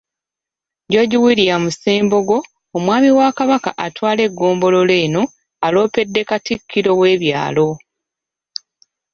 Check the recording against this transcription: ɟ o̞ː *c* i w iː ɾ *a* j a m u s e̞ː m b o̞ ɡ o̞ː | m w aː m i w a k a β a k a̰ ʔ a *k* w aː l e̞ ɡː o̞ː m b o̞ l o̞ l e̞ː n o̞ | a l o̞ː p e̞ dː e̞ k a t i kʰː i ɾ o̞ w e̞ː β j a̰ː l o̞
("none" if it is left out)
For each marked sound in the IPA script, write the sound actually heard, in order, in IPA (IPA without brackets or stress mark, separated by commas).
ɟ, i, t